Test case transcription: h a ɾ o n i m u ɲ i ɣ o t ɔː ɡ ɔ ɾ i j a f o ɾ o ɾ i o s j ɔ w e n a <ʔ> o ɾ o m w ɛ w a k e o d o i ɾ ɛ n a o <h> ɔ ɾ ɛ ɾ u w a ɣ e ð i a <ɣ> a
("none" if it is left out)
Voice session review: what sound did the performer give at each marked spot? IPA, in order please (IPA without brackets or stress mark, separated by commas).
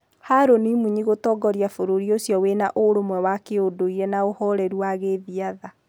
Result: ʔ, h, ð